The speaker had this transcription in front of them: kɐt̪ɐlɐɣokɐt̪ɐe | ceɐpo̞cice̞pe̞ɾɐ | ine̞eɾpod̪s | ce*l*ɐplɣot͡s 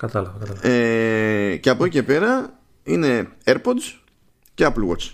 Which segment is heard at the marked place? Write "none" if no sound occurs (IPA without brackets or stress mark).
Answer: none